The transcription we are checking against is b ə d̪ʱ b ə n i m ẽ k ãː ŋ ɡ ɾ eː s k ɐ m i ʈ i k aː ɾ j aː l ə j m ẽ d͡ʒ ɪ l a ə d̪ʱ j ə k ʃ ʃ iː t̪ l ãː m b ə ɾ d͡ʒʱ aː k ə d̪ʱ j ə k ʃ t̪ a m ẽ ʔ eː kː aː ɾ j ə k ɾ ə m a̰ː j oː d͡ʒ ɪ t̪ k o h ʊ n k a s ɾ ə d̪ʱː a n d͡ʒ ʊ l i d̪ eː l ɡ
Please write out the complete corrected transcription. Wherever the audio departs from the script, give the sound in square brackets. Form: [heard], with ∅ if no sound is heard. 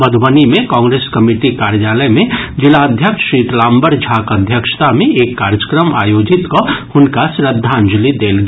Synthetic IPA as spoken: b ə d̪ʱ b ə n i m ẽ k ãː ŋ ɡ ɾ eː s k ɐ m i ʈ i k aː ɾ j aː l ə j m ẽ d͡ʒ ɪ l a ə d̪ʱ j ə k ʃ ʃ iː t̪ l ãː m b ə ɾ d͡ʒʱ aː k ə d̪ʱ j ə k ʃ t̪ a m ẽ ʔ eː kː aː ɾ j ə k ɾ ə m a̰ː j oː d͡ʒ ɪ t̪ k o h ʊ n k a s ɾ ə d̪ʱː a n d͡ʒ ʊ l i d̪ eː l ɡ